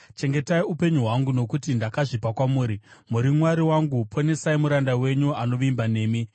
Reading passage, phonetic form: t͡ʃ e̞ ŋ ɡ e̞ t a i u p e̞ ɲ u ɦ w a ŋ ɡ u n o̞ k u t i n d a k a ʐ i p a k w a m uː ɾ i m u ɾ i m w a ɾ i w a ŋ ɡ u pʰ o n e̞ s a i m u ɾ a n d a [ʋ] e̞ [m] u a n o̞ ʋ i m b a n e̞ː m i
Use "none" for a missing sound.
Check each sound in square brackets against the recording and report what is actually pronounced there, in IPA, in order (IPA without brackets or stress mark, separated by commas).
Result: w, ɲ